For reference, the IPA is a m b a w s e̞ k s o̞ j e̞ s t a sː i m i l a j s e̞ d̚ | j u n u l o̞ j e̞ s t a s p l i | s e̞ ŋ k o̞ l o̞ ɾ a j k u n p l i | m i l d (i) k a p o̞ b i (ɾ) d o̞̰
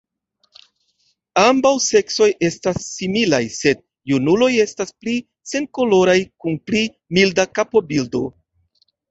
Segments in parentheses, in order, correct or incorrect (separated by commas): incorrect, incorrect